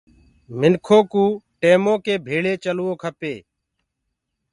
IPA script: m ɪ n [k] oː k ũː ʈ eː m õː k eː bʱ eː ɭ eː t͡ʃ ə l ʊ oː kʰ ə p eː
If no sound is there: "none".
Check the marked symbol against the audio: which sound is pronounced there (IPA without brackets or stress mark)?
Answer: kʰ